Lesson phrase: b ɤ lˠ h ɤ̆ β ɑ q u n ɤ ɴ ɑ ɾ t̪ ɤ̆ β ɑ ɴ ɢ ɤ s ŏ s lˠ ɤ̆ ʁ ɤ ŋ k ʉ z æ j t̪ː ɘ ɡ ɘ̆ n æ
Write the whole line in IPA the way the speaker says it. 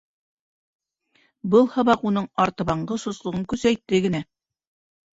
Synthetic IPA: b ɤ lˠ h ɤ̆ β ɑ q u n ɤ ɴ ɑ ɾ t̪ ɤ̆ β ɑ ɴ ɢ ɤ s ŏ s lˠ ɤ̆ ʁ ɤ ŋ k ʉ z æ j t̪ː ɘ ɡ ɘ̆ n æ